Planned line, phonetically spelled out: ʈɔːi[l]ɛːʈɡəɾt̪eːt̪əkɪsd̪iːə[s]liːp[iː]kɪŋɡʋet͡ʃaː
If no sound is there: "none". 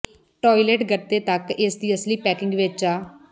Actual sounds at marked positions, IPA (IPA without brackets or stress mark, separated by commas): l, s, ɛː